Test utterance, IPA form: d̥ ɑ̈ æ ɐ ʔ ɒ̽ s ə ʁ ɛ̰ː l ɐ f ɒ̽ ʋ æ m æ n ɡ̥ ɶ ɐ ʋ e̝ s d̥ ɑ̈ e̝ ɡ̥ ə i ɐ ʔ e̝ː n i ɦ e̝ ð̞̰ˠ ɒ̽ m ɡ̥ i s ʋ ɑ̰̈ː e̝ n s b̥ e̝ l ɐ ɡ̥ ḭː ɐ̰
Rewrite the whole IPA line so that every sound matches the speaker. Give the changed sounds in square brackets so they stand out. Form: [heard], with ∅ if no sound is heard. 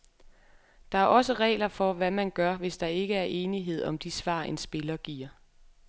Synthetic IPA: d̥ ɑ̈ æ ɐ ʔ ɒ̽ s ə ʁ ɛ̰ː l ɐ f ɒ̽ ʋ æ m æ n ɡ̥ ɶ ɐ ʋ e̝ s d̥ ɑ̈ e̝ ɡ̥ ə [æ] ɐ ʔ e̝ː n i ɦ e̝ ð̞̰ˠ ɒ̽ m [d̥] i s ʋ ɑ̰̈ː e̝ n s b̥ e̝ l ɐ ɡ̥ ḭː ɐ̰